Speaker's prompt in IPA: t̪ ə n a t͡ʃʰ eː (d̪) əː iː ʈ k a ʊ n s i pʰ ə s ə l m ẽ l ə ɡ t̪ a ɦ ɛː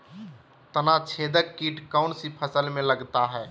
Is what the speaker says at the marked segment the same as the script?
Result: yes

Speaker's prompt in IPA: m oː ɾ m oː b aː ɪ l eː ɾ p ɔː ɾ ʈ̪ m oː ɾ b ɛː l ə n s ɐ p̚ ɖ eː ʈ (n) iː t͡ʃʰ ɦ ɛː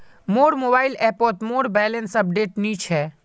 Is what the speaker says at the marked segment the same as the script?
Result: yes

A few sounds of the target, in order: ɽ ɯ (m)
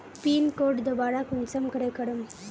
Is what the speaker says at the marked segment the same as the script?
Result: yes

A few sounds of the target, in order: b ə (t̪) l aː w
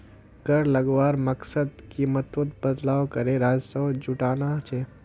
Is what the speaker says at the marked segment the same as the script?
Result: no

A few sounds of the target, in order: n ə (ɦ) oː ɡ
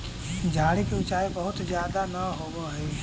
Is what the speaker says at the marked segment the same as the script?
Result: yes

